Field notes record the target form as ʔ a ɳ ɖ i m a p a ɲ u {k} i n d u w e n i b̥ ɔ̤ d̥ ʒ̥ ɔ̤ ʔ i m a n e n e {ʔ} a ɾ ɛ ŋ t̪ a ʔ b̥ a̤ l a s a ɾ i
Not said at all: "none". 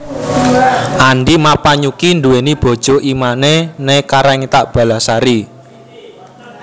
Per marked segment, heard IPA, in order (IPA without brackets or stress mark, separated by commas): k, k